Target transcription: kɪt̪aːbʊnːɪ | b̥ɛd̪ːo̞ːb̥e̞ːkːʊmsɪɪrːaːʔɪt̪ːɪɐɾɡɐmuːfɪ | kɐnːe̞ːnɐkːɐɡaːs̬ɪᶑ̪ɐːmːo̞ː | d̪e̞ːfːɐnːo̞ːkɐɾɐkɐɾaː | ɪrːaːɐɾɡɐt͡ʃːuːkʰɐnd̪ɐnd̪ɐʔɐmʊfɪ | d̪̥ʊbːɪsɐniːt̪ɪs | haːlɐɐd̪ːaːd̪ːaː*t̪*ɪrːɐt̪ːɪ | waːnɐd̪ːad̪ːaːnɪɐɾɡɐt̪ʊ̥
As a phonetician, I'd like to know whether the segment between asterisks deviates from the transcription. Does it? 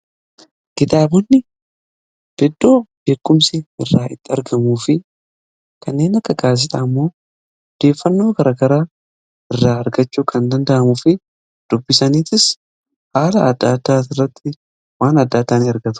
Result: no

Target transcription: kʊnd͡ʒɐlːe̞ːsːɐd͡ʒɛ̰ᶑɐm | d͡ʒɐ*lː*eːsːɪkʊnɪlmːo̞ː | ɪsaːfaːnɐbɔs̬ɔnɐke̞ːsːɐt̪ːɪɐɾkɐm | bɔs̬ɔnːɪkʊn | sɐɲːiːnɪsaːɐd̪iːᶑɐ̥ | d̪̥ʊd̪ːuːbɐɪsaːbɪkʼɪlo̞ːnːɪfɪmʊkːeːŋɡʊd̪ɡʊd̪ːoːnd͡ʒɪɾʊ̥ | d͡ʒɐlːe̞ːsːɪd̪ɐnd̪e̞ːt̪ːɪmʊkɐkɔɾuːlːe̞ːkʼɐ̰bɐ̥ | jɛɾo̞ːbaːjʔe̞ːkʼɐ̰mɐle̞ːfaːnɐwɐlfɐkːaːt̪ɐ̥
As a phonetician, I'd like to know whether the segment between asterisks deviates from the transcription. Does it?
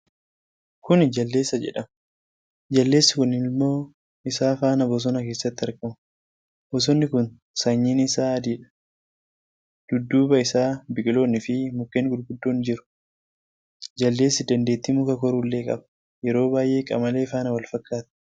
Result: no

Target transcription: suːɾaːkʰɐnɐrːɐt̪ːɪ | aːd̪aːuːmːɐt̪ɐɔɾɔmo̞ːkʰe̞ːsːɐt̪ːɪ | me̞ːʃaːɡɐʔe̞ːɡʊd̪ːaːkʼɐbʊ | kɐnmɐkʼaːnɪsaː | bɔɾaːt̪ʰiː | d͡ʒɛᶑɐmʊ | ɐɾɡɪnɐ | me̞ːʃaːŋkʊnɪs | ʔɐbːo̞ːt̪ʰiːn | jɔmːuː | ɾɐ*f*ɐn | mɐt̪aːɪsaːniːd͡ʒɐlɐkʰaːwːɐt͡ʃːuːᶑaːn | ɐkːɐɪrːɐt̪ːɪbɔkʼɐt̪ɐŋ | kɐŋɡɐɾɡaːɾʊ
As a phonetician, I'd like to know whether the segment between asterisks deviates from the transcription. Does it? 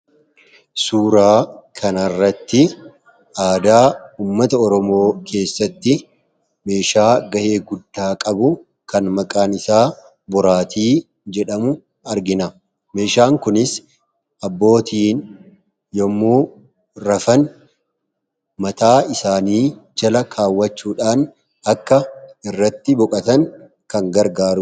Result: no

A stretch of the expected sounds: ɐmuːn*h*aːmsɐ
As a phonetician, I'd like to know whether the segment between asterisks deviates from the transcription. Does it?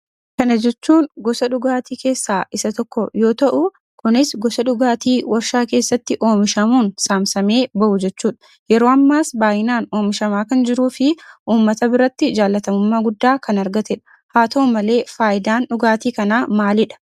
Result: yes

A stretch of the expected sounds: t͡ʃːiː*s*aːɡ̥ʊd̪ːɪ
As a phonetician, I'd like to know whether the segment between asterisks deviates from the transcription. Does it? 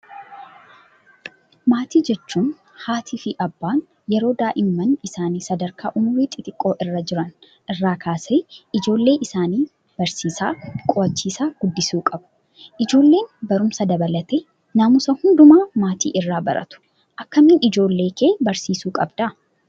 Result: no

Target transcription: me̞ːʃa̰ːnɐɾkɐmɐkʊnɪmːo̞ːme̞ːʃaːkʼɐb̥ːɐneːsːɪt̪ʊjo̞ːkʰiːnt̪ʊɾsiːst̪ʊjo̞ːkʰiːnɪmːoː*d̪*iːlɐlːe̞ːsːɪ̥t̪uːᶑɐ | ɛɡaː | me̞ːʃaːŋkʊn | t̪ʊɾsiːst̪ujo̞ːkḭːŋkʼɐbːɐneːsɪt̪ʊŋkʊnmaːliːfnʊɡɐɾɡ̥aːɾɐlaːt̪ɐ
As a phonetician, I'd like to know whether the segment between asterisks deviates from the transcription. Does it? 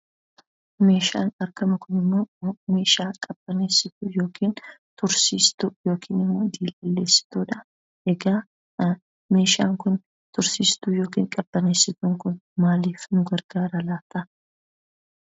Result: no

